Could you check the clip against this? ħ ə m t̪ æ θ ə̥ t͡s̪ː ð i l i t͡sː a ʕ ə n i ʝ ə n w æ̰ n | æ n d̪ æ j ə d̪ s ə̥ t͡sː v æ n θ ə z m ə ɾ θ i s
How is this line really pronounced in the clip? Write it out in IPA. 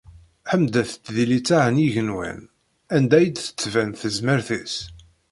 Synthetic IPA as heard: ħ ə m d̪ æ θ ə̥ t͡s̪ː ð i l i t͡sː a ʕ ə n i ʝ ə n w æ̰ n | æ n d̪ æ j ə d̪ θ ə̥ t͡sː v æ n θ ə z m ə ɾ θ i s